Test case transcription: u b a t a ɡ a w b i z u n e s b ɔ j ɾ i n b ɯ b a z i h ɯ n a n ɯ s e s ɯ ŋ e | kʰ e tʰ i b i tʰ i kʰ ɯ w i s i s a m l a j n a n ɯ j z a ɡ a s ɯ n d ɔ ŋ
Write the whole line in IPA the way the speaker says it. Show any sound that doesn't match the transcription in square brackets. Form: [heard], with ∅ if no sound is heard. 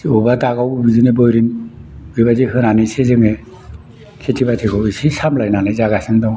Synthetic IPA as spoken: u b a t a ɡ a w b i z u n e [∅] b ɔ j ɾ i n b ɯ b a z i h ɯ n a n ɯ s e [z] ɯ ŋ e | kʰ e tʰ i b [a] tʰ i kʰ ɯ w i s i s a m l a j n a n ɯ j z a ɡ a s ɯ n d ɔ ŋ